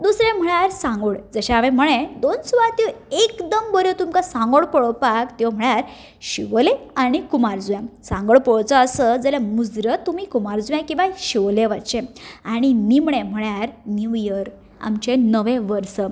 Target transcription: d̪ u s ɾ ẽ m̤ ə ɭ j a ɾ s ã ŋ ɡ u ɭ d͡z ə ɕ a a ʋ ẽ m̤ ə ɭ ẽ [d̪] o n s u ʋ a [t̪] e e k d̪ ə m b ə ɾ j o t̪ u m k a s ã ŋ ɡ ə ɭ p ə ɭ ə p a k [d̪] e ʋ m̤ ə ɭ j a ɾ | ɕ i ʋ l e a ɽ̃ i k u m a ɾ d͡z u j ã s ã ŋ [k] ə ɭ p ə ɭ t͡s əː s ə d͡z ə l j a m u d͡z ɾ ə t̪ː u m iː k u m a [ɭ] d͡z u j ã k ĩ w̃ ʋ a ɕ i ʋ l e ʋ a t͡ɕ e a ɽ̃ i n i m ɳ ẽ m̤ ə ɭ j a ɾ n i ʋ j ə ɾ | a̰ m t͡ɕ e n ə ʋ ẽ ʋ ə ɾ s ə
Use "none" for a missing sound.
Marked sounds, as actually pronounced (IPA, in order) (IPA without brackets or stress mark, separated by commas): d̪, t̪, t̪, ɡ, ɾ